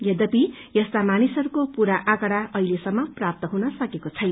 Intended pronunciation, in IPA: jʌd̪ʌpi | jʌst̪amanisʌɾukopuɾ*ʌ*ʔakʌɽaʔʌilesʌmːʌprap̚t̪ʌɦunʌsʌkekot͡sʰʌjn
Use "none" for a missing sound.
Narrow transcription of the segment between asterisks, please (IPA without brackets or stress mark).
a